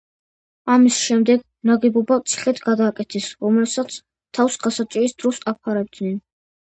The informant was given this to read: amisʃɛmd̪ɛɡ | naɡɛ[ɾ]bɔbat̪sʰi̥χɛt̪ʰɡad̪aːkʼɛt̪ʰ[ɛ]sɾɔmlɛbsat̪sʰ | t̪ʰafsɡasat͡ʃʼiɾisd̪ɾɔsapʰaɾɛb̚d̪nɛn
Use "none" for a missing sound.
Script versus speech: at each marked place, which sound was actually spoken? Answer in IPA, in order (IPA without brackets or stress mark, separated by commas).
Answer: none, ɛ